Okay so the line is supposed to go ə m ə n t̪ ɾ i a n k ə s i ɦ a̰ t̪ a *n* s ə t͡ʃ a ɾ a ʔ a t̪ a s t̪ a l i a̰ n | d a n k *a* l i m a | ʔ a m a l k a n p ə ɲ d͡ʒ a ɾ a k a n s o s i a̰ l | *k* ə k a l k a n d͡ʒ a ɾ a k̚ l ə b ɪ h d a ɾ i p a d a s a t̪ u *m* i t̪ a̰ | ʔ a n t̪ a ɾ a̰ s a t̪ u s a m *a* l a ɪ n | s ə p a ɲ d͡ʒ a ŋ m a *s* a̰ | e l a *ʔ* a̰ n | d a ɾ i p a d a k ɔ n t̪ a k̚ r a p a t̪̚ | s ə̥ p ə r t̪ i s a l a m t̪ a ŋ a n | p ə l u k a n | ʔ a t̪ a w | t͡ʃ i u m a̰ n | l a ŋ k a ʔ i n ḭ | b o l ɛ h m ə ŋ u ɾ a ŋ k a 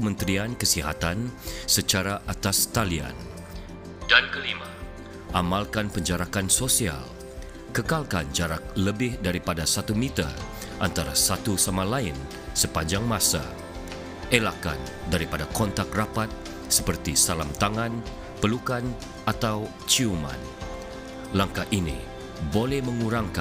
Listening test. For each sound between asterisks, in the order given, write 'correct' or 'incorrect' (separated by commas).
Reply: correct, incorrect, correct, correct, correct, correct, incorrect